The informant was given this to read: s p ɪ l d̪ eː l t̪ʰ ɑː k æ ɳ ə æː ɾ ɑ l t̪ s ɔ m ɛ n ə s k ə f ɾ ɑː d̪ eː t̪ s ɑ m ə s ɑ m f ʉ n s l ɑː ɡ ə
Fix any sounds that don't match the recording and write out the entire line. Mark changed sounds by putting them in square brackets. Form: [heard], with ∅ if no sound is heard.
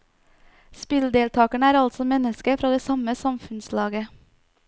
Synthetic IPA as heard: s p ɪ l d̪ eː l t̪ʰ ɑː k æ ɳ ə æː ɾ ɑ l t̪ s ɔ m ɛ n ə s k ə f ɾ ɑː d̪ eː [∅] s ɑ m ə s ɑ m f ʉ n s l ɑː ɡ ə